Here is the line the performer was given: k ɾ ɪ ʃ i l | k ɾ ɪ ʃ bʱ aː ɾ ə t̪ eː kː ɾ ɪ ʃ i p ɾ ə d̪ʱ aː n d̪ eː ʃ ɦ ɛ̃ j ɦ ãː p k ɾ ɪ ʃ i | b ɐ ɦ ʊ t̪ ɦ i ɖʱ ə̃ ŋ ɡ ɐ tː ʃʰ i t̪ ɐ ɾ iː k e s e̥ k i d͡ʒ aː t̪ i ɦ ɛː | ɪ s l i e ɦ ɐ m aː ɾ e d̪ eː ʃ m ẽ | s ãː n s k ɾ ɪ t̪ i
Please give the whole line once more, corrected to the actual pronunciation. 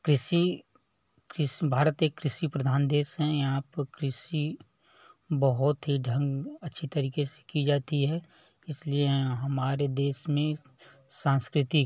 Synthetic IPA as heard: k ɾ ɪ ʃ i | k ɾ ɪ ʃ bʱ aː ɾ ə t̪ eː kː ɾ ɪ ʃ i p ɾ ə d̪ʱ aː n d̪ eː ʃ ɦ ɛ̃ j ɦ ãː p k ɾ ɪ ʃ i | b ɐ ɦ ʊ t̪ ɦ i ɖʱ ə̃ ŋ ɡ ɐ tː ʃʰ i t̪ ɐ ɾ iː k e s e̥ k i d͡ʒ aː t̪ i ɦ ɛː | ɪ s l i e ɦ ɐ m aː ɾ e d̪ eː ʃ m ẽ | s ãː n s k ɾ ɪ t̪ i